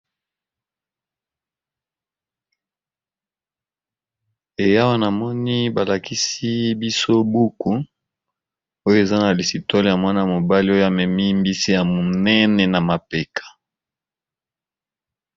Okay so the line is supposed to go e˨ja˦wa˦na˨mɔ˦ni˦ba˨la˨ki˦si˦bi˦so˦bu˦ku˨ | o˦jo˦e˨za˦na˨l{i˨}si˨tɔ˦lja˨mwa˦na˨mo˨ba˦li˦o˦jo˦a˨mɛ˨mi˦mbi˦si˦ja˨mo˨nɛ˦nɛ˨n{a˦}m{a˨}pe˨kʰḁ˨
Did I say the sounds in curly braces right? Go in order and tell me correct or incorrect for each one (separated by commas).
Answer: correct, incorrect, correct